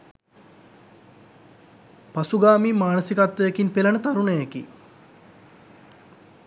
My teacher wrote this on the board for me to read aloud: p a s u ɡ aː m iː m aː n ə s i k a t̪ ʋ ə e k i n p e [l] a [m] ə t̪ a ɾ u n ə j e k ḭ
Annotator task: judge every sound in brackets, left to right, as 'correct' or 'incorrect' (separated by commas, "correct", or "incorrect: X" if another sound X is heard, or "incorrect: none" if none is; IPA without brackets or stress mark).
correct, incorrect: n